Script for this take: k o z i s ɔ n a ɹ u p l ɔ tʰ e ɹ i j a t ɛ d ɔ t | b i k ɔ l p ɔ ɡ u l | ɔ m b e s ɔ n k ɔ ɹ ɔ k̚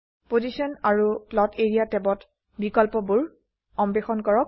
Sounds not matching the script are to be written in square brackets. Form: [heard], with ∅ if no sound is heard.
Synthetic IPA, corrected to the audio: [p] o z i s ɔ n a ɹ u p l ɔ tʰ e ɹ i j a t ɛ [b] ɔ t | b i k ɔ l p ɔ [b] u [ɹ] | ɔ m b e [x] ɔ n k ɔ ɹ ɔ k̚

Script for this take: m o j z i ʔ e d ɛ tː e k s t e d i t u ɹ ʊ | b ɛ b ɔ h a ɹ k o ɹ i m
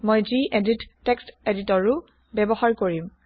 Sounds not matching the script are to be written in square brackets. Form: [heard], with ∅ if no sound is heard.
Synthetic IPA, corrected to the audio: m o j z i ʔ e d [i] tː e k s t e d i t [ɔ] ɹ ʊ | b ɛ b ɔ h a ɹ k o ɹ i m

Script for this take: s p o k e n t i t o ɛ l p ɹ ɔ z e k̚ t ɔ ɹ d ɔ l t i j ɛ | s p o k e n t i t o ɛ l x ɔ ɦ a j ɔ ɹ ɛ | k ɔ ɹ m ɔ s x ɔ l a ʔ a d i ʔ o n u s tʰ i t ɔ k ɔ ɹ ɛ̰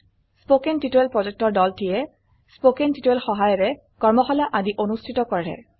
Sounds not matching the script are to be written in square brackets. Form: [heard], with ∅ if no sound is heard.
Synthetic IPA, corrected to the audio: s p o k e n t i t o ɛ l p ɹ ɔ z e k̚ t ɔ ɹ d ɔ l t i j ɛ | s p o k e n t i t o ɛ l x ɔ ɦ a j ɔ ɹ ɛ | k ɔ ɹ m ɔ [∅] x ɔ l a ʔ a d i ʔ o n u s tʰ i t ɔ k ɔ ɹ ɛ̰

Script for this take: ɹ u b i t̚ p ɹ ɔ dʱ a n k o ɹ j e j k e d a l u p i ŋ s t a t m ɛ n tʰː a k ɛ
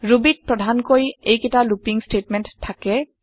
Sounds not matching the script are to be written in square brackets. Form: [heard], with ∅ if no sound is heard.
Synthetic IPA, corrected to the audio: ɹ u b i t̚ p ɹ ɔ dʱ a n k o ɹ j e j k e [t] a l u p i ŋ s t [e] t m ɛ n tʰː a k ɛ

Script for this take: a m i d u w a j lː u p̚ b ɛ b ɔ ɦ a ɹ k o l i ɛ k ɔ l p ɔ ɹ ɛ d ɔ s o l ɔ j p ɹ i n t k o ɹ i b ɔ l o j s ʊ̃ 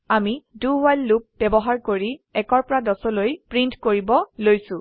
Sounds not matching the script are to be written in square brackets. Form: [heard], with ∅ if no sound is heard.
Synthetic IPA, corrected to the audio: a m i d u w a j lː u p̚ b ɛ b ɔ ɦ a ɹ k o [ɹ] i ɛ k ɔ [ɹ] p ɔ ɹ [a] d ɔ s [ɔ] l [o] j p ɹ i n t k o ɹ i b ɔ l o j s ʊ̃

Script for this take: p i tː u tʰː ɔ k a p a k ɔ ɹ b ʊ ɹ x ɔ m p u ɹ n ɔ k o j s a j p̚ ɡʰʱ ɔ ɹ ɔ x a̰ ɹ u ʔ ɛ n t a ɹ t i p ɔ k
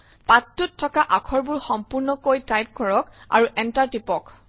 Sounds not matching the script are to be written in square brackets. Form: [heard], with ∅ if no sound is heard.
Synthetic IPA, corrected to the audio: p [a] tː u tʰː ɔ k a [ʔ] a [kʰ] ɔ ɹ b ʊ ɹ x ɔ m p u ɹ n ɔ k o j [t] a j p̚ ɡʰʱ ɔ ɹ ɔ [k] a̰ ɹ u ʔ ɛ n t a ɹ t i p ɔ k

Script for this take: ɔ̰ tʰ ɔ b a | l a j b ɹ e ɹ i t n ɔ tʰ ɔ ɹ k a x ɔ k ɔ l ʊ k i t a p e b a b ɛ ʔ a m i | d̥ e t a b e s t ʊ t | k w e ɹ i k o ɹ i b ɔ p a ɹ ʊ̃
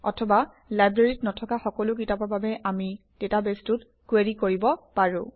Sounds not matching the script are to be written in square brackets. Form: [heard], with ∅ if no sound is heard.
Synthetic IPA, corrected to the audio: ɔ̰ tʰ ɔ b a | l a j b ɹ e ɹ i t n ɔ tʰ ɔ [∅] k a x ɔ k ɔ l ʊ k i t a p [a] b a b ɛ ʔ a m i | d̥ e t a b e s t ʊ t | k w e ɹ i k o ɹ i b ɔ p a ɹ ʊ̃

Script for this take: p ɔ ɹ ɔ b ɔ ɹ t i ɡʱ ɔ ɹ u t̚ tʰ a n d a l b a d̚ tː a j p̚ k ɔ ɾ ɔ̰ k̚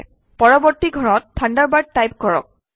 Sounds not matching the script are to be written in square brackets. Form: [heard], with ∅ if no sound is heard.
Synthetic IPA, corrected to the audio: p ɔ ɹ ɔ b ɔ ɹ t i ɡʱ ɔ ɹ [ɔ] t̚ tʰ a n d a [ɹ] b a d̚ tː a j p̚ k ɔ [ɹ] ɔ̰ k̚

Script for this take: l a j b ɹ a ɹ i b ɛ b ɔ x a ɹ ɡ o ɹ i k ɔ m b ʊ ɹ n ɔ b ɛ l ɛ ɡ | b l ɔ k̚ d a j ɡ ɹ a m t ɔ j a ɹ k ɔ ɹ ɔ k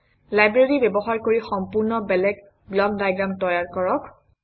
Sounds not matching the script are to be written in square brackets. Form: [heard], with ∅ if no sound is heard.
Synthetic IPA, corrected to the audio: l a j b ɹ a ɹ i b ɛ b ɔ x a ɹ [k] o ɹ i [x] ɔ m [p] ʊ ɹ n ɔ b ɛ l ɛ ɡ | b l ɔ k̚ d a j ɡ ɹ a m t ɔ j a ɹ k ɔ ɹ ɔ k

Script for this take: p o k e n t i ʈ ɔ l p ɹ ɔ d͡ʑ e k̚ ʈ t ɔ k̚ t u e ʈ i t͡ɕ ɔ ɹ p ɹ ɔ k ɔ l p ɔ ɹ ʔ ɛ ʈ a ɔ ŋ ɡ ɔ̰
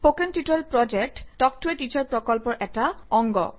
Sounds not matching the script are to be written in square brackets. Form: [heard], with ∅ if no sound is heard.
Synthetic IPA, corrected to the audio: p o k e n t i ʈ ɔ l p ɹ ɔ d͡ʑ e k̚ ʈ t ɔ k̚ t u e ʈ i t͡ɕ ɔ ɹ p ɹ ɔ k ɔ l p ɔ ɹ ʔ ɛ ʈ a ɔ ŋ ɡ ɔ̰

